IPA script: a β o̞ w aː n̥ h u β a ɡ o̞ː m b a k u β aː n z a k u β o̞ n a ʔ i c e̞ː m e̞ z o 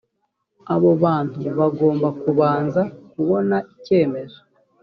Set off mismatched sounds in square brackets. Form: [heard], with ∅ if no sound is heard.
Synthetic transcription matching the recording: a β o̞ [β] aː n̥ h u β a ɡ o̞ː m b a k u β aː n z a k u β o̞ n a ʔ i c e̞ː m e̞ z o